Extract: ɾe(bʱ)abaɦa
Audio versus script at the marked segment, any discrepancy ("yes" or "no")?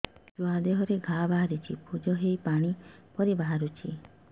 yes